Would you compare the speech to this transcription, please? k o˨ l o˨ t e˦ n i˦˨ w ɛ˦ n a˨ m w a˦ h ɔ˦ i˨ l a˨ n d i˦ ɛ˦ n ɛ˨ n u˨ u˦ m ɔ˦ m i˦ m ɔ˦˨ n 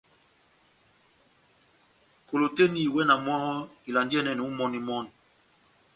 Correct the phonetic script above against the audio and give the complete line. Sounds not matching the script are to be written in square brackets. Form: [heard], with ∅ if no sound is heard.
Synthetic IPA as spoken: k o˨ l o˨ t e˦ n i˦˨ w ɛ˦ n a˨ m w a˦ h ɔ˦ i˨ l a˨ n d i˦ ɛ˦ n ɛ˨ n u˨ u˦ m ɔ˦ [n] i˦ m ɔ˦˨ n